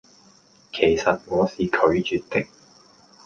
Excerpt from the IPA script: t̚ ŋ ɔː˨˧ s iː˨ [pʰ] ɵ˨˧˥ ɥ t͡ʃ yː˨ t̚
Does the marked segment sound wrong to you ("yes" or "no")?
yes